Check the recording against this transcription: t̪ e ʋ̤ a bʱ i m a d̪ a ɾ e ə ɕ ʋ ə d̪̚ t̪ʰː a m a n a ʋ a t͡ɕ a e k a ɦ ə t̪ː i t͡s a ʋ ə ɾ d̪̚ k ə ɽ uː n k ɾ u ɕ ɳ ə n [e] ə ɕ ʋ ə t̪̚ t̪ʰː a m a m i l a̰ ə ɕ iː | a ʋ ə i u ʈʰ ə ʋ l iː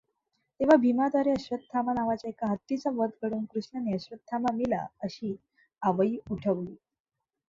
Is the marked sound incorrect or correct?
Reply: correct